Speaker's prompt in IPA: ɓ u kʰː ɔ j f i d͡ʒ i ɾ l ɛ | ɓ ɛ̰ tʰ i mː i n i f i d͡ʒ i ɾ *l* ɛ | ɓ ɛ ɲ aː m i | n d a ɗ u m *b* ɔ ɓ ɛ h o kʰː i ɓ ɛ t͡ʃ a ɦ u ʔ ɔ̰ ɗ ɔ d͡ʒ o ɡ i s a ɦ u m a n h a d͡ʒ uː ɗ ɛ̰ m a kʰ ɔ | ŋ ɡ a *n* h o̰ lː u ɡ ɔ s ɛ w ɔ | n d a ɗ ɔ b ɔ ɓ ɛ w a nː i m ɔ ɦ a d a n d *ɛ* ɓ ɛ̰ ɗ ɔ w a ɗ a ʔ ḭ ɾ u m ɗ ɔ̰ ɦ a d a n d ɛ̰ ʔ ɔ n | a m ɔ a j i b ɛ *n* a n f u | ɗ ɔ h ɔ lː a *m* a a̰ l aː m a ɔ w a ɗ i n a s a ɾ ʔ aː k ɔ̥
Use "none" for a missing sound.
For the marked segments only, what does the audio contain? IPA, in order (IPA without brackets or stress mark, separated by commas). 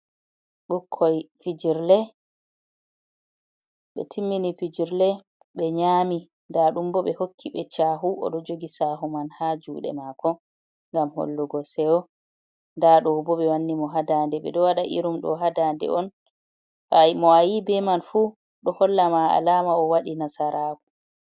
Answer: l, b, m, ɛ, m, m